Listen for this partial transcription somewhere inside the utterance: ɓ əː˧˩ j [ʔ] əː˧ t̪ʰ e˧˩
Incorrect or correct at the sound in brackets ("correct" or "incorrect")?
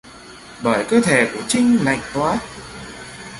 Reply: incorrect